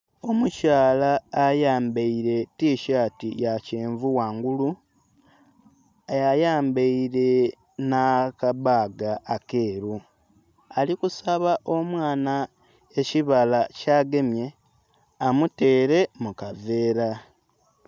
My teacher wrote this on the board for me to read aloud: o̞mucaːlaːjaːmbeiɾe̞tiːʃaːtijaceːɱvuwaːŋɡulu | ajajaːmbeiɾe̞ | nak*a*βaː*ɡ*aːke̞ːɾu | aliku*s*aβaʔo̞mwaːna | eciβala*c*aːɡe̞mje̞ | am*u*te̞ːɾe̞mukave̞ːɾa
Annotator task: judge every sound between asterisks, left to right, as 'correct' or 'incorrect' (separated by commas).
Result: correct, correct, correct, correct, correct